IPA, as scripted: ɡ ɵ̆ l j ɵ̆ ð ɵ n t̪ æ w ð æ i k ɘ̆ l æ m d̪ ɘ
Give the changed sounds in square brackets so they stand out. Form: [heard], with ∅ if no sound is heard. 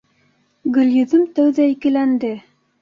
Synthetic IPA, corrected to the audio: ɡ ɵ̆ l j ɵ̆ ð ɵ [m] t̪ æ w ð æ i k ɘ̆ l æ [n] d̪ ɘ